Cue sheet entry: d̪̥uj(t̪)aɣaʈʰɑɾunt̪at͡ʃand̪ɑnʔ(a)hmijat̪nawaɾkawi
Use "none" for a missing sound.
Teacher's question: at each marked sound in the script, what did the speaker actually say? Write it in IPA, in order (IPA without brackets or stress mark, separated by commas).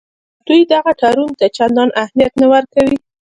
d̪, a